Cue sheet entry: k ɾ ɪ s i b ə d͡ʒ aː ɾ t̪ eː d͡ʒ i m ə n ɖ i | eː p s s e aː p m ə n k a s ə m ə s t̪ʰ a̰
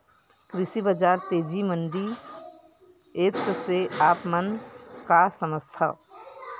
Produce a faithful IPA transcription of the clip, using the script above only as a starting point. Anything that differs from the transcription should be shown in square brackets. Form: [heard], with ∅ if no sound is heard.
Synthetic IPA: k ɾ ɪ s i b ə d͡ʒ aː ɾ t̪ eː d͡ʒ i m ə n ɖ i | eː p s s e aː p m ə n k a s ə m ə s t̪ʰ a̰